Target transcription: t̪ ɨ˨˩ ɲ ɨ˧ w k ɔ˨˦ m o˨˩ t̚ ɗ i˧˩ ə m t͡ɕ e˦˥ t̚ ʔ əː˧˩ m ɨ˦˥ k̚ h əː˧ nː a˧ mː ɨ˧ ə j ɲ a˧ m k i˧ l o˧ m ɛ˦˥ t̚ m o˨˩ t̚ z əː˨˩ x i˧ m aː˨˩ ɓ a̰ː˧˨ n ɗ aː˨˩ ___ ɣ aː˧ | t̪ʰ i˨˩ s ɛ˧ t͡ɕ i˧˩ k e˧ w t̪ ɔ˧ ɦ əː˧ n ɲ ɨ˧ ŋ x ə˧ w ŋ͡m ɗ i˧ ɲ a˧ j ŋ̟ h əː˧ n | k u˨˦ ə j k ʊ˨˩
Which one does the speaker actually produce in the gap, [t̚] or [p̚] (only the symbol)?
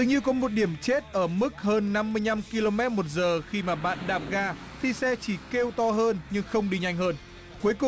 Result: p̚